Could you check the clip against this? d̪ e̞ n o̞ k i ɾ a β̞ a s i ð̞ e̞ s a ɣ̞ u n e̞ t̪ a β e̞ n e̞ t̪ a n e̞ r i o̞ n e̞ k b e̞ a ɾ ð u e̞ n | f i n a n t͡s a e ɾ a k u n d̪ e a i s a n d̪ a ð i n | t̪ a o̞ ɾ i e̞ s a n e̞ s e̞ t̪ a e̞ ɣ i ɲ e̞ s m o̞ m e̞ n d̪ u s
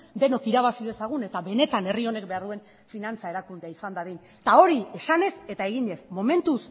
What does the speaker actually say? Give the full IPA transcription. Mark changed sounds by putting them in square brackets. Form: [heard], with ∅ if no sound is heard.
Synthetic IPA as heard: d̪ e̞ n o̞ k i ɾ a β̞ a s i ð̞ e̞ s a ɣ̞ u n e̞ t̪ a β e̞ n e̞ t̪ a n e̞ r i o̞ n e̞ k b e̞ a ɾ ð u e̞ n | f i n a n t͡s a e ɾ a k u n d̪ e a i s a n d̪ a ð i n | t̪ a o̞ ɾ i e̞ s a n e̞ s e̞ t̪ a e̞ ɣ i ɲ e̞ s m o̞ m e̞ n [t̪] u s